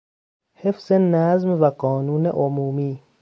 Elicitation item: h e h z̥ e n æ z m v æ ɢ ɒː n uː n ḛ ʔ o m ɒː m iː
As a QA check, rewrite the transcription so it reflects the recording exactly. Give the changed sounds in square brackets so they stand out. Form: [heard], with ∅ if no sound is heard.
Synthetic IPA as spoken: h e [f] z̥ e n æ z m v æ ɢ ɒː n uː n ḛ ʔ o m [uː] m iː